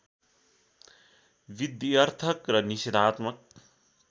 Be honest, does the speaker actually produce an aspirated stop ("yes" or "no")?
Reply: yes